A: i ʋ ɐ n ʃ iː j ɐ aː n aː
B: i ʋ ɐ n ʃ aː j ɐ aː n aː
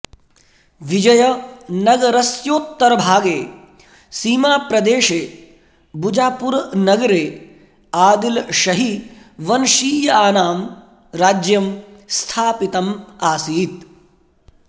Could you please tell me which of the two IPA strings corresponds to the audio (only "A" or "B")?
A